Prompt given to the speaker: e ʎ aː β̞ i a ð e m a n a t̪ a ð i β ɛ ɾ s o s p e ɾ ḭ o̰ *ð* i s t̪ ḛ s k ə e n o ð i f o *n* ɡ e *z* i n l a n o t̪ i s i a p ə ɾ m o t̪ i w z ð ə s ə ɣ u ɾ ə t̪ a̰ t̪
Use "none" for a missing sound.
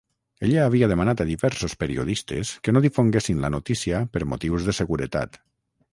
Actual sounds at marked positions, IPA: ð, ŋ, s

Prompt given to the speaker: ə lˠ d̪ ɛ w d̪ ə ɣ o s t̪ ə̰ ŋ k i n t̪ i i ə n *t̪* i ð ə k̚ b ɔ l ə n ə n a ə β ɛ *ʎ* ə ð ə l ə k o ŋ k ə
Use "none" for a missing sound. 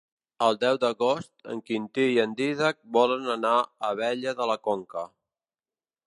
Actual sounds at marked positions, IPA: d̪, ʎ

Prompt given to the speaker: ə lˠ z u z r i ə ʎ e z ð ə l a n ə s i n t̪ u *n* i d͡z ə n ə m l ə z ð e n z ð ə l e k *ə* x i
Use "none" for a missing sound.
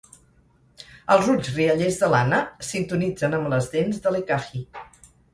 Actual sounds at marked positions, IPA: n, a

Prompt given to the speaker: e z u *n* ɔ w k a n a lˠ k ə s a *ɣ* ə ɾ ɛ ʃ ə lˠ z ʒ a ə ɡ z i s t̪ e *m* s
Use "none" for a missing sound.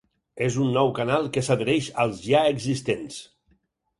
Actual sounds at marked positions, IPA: nː, ð, n

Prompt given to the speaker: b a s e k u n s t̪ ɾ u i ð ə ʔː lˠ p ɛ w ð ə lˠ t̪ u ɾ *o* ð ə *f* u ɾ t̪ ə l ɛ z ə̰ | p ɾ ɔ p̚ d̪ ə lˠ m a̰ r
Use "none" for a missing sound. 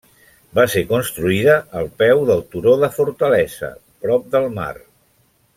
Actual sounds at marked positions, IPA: o, f

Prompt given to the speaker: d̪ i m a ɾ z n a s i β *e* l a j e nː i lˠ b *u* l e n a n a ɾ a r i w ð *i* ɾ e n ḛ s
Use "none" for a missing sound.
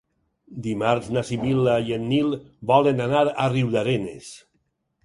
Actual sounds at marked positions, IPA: i, ɔ, a

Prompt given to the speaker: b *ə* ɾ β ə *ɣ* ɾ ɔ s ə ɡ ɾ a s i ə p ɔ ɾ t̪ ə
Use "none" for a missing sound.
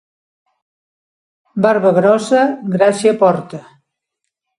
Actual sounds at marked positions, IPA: a, ɣ

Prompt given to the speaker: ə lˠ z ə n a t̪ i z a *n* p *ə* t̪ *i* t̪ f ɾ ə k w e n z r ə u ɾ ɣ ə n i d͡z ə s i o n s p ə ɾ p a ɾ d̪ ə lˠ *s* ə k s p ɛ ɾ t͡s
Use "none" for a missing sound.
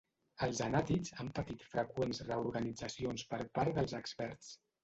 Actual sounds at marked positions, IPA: m, ə, i, z

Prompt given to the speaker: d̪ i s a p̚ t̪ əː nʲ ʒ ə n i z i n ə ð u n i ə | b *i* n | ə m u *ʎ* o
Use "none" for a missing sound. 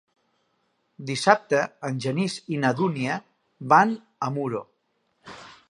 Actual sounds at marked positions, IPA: a, ɾ

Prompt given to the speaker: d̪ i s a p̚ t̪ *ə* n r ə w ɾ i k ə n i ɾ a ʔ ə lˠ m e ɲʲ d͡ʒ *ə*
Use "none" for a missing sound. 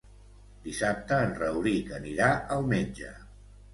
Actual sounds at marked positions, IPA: əː, ə

